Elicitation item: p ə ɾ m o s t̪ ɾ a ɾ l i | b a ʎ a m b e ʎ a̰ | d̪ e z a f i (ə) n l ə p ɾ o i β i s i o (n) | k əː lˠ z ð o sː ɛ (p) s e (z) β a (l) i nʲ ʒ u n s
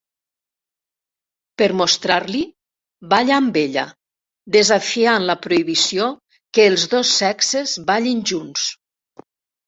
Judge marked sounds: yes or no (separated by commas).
no, no, no, yes, no